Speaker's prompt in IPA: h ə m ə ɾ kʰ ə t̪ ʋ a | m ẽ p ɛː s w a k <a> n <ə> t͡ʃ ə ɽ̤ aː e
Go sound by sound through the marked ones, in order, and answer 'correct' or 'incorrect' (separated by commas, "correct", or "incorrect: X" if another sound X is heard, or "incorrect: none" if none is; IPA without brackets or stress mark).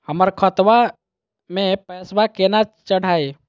incorrect: e, incorrect: a